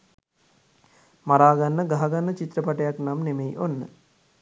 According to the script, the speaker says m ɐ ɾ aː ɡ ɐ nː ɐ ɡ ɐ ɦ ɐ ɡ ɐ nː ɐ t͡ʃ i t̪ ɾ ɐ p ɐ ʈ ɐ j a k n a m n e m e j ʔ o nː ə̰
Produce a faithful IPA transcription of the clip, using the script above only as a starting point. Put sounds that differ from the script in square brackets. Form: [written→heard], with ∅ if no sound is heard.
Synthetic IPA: m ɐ ɾ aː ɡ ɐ nː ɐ ɡ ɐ ɦ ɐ ɡ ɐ nː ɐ t͡ʃ i t̪ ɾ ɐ p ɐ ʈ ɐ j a k n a m n e m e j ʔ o nː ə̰